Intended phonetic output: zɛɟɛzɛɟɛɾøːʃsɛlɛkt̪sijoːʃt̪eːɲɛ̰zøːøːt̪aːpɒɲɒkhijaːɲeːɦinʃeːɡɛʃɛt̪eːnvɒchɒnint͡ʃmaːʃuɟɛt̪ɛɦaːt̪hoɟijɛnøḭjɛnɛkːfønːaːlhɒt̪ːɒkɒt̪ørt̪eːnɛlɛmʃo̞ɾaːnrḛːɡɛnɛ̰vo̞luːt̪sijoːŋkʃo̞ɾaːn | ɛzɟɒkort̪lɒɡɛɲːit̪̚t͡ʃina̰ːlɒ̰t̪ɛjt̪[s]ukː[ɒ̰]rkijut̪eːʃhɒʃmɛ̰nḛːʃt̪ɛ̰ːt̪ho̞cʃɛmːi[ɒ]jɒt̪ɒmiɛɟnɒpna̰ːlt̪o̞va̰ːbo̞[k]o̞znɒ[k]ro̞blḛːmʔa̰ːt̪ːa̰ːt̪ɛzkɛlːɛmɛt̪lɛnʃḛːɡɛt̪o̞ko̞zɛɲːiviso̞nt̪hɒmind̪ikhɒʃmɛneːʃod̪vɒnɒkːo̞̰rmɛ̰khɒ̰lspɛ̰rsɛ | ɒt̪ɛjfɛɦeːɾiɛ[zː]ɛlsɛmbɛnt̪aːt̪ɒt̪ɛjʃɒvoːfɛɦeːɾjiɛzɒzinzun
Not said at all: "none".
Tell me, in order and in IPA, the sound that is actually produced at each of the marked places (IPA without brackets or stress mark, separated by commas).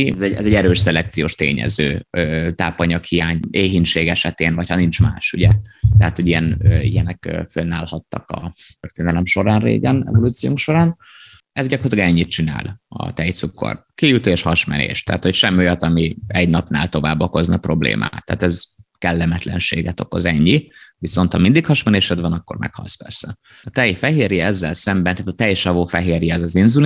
s, o̰, o, k, p, zː